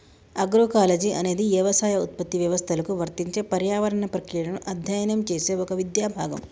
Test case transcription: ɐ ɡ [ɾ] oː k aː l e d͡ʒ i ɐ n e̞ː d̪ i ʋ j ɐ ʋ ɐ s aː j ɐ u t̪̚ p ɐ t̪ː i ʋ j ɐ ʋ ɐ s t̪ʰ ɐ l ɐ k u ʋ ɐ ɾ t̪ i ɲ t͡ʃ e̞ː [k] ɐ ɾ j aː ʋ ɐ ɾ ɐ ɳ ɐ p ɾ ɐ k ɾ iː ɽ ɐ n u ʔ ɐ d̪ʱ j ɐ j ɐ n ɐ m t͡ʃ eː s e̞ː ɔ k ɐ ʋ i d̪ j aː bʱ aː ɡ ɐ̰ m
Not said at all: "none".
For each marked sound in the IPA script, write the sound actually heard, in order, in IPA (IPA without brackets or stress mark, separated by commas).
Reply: ɾ, p